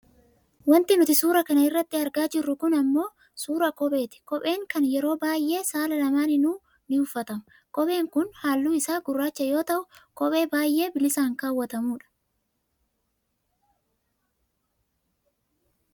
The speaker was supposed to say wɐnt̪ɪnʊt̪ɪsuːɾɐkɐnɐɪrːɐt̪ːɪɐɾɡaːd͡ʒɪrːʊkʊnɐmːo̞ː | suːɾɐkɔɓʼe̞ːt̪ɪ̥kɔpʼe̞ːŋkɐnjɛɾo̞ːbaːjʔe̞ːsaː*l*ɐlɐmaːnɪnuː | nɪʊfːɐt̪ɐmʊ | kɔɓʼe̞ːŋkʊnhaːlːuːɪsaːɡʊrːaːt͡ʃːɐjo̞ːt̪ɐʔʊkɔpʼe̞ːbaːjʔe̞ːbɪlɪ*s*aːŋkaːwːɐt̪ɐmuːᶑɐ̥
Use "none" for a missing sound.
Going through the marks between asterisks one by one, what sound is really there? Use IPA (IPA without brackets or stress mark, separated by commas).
l, s